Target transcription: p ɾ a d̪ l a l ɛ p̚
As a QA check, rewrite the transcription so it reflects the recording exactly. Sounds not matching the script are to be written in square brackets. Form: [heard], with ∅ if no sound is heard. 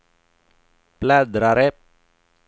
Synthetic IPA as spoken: p [l] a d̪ [ɾ] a [ɾ] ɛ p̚